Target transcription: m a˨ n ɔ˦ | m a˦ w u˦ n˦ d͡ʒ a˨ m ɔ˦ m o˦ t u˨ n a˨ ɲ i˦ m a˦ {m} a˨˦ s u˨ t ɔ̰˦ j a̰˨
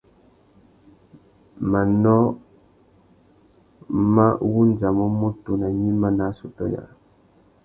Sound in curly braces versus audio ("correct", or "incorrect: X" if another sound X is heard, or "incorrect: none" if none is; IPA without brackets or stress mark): incorrect: n